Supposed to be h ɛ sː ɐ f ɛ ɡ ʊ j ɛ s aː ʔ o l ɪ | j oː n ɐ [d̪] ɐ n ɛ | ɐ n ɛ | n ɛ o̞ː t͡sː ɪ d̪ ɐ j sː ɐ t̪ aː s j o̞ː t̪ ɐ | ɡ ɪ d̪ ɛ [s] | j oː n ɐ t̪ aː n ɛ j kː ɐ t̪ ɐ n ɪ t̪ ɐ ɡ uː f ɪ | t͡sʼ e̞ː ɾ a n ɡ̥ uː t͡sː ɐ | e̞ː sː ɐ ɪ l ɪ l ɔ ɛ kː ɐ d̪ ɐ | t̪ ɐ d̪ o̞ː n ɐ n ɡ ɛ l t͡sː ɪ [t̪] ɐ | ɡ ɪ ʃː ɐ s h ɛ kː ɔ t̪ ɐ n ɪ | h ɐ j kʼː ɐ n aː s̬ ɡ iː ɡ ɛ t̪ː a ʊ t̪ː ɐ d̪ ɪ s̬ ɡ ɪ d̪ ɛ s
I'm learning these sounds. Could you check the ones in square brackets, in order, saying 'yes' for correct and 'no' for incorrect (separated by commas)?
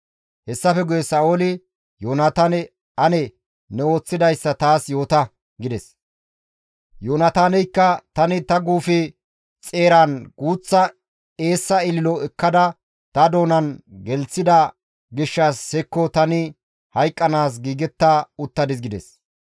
no, yes, no